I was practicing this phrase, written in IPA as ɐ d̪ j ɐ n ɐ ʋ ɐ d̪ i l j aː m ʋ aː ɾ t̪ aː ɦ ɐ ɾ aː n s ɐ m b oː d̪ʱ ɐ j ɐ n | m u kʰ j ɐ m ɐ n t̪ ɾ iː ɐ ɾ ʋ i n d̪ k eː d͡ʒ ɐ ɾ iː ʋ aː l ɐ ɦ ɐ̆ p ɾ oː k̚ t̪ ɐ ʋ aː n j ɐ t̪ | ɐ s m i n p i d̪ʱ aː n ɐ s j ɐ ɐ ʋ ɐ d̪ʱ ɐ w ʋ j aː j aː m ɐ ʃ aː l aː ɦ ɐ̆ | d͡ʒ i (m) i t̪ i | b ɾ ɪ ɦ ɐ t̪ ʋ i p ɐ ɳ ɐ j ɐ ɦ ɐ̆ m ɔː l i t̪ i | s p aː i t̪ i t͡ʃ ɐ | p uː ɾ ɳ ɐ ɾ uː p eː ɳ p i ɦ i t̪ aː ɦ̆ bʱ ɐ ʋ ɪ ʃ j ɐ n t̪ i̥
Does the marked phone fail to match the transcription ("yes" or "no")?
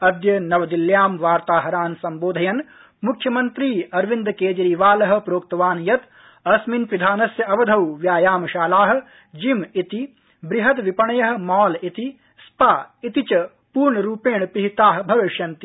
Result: no